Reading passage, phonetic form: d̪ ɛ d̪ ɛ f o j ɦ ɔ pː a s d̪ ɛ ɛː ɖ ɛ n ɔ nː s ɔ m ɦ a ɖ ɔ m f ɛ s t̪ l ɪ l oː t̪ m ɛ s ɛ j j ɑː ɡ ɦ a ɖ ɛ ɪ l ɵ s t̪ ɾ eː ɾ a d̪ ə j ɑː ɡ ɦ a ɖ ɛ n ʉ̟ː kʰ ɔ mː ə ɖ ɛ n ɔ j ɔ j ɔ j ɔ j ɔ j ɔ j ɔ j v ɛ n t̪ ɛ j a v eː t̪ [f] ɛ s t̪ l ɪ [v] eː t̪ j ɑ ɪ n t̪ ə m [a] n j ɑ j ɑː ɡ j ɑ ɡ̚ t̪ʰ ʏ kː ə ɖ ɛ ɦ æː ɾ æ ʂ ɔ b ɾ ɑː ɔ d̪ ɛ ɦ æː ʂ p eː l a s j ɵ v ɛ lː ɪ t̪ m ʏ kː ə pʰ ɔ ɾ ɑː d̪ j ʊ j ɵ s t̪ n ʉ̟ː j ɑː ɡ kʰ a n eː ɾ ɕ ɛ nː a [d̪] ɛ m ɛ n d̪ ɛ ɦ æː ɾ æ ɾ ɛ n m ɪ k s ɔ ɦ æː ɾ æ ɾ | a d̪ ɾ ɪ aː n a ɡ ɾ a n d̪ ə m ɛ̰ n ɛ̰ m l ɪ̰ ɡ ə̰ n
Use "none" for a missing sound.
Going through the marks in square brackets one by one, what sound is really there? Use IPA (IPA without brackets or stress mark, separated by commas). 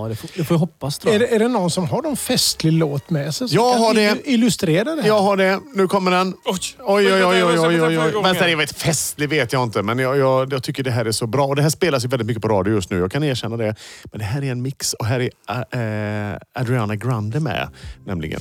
f, v, ɛ, d̪